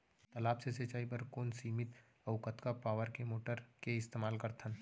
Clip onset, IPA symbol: t̪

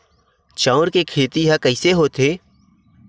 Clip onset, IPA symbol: t͡ʃ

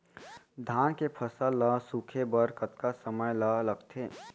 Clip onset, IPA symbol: d̪ʱ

